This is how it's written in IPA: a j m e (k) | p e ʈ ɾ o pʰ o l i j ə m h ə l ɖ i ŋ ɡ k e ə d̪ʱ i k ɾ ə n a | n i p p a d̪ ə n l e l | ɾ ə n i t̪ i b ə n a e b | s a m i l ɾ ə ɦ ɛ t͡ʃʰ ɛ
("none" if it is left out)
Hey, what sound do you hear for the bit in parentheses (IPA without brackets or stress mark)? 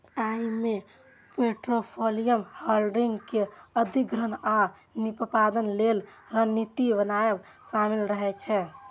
none